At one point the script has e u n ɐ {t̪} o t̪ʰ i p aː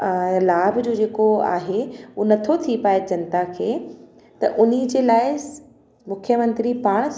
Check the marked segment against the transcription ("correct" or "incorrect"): incorrect